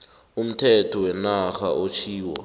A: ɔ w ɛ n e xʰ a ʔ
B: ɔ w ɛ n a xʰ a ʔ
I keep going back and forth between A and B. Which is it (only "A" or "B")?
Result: B